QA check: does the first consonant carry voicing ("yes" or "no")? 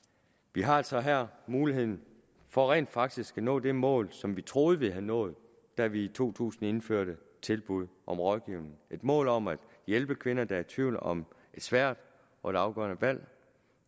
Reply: yes